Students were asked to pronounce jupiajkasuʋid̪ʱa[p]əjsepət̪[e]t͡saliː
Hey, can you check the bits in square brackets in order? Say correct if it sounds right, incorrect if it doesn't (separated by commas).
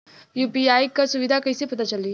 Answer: incorrect, incorrect